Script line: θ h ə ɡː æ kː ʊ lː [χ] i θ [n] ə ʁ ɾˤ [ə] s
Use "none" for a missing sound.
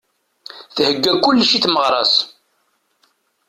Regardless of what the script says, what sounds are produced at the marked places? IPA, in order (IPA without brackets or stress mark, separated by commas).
ʃ, m, ɑ